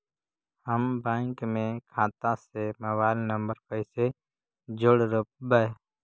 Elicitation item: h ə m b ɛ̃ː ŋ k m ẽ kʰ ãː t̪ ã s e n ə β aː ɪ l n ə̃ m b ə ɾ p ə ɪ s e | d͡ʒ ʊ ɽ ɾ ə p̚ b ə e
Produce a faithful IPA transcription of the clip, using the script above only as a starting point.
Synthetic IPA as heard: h ə m b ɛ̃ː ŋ k m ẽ kʰ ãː t̪ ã s e m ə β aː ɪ l n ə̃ m b ə ɾ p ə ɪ s e | d͡ʒ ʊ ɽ ɾ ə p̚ b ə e

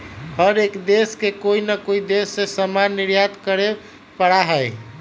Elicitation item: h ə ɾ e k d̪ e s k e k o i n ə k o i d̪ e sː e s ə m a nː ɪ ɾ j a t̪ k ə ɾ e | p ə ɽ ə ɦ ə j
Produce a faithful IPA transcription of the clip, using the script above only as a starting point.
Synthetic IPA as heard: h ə ɾ e k d̪ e s k e k o i n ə k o i d̪ e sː e s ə m a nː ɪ ɾ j a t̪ k ə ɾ e | p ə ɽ a ɦ ə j

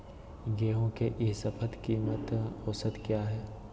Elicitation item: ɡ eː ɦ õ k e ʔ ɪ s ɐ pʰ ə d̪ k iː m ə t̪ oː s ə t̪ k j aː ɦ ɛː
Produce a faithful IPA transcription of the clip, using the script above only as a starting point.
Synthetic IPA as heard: ɡ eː ɦ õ k e ʔ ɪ s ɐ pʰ ə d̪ k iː m ə t̪ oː s ə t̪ k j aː ɦ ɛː

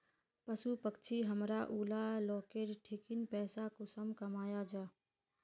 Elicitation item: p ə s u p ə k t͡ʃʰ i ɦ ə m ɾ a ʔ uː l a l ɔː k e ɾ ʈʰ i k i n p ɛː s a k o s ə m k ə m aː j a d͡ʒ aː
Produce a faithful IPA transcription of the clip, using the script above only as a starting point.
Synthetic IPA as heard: p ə s u p ə k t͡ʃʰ i ɦ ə m ɾ a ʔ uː l a l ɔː k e ɾ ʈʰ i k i n p ɛː s a k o s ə m k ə m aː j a d͡ʒ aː

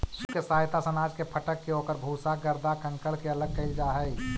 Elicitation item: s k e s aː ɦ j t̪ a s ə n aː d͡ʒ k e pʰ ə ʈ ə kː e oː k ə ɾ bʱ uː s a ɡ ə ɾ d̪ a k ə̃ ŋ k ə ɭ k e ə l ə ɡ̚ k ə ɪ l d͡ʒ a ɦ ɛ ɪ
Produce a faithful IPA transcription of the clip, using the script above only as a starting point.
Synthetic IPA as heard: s k e s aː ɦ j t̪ a s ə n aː d͡ʒ k e pʰ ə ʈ ə kː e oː k ə ɾ bʱ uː s a ɡ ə ɾ d̪ a k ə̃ ŋ k ə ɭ k e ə l ə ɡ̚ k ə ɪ l d͡ʒ a ɦ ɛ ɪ

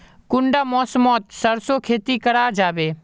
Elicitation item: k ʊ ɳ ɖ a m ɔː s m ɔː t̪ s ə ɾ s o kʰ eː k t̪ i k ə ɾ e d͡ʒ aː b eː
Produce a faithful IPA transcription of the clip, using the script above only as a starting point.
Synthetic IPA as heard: k ʊ ɳ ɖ a m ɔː s m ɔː t̪ s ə ɾ s o kʰ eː t̪ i k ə ɾ a d͡ʒ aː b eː

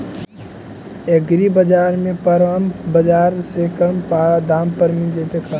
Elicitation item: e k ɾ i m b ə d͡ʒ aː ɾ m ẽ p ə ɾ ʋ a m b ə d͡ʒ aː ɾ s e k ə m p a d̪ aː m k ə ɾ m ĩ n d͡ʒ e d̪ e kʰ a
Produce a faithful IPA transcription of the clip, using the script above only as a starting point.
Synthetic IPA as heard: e ɡ ɾ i b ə d͡ʒ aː ɾ m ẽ p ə ɾ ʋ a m b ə d͡ʒ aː ɾ s e k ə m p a d̪ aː m p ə ɾ m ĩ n d͡ʒ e t̪ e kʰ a

